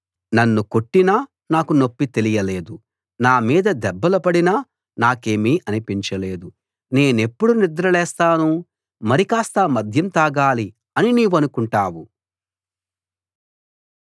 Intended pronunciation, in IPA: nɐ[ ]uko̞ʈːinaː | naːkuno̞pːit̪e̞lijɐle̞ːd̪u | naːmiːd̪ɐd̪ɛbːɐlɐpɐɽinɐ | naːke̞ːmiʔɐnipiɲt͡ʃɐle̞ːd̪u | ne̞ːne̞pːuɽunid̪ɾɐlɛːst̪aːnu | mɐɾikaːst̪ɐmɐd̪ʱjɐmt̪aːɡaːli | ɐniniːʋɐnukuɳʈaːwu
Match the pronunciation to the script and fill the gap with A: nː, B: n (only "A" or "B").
A